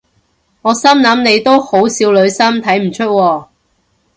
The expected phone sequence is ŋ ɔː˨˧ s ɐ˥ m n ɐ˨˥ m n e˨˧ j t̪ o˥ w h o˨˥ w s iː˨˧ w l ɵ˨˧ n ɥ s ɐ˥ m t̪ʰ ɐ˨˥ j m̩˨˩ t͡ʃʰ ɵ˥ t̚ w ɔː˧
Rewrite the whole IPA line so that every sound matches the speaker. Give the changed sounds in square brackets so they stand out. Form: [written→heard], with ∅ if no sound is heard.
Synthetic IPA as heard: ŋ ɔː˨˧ s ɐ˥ m n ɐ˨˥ m n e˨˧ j t̪ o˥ w h o˨˥ w s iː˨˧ w l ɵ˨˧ [n→∅] ɥ s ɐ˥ m t̪ʰ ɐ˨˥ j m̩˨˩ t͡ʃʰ ɵ˥ t̚ w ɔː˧